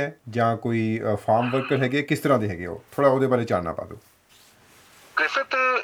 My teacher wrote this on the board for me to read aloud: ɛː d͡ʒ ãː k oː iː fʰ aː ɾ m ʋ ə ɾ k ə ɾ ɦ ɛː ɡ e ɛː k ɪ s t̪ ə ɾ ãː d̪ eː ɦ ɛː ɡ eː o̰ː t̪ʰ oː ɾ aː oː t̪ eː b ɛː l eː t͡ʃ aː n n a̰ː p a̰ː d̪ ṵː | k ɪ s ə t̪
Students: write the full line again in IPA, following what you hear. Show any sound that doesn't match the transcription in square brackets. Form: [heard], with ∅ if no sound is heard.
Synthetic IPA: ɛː d͡ʒ ãː k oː iː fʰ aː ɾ m ʋ ə ɾ k ə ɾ ɦ ɛː ɡ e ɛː k ɪ s t̪ ə ɾ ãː d̪ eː ɦ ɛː ɡ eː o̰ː t̪ʰ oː [ɽ] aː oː [d̪] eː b [aː] l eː t͡ʃ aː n n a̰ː p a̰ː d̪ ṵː | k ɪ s ə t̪